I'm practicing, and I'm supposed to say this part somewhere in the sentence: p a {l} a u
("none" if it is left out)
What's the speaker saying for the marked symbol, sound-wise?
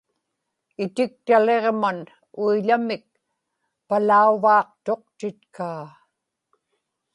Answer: l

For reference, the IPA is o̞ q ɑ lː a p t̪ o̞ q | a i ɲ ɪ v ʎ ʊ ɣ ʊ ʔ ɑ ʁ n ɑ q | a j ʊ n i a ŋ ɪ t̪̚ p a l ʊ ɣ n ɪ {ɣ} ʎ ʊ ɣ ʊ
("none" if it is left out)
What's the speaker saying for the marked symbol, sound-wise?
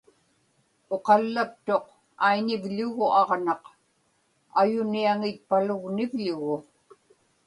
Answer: v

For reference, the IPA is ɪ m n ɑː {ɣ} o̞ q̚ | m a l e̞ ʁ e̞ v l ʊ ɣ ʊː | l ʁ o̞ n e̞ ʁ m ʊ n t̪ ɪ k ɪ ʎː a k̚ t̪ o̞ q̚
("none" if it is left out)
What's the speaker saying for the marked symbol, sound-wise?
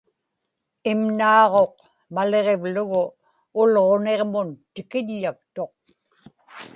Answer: ʁ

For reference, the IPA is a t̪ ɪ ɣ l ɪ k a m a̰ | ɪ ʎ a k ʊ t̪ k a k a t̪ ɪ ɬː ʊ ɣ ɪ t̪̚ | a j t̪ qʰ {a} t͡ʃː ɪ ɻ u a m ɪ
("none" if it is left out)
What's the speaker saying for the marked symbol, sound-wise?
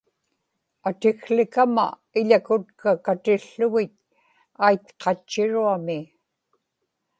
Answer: ɑ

